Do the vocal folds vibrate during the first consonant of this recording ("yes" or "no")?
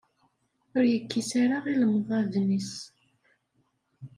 yes